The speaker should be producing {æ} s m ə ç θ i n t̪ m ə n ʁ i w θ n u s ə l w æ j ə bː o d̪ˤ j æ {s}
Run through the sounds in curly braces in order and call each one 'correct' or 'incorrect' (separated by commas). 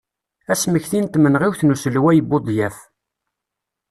correct, incorrect